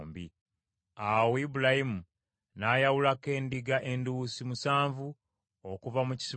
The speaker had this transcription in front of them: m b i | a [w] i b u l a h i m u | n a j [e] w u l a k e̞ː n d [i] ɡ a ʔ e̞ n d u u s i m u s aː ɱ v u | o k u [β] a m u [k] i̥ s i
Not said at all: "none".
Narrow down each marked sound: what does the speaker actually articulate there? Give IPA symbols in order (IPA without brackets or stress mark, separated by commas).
w, a, i, v, c